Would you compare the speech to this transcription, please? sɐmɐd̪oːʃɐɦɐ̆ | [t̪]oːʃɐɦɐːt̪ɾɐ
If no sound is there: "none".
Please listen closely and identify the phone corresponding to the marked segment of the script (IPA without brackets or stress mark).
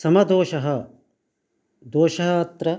d̪